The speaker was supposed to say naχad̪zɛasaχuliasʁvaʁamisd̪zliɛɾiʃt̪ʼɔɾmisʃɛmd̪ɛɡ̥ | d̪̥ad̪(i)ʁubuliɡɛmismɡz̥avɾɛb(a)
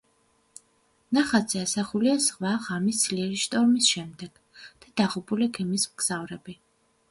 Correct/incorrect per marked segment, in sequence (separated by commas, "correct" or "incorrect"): incorrect, incorrect